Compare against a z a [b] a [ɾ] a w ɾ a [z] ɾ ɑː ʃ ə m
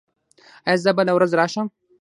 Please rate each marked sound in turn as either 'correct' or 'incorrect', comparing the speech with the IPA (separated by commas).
correct, incorrect, correct